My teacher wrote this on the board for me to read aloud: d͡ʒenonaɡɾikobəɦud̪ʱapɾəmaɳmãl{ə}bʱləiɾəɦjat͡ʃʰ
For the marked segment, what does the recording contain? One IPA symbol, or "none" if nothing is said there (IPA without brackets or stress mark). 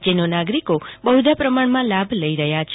a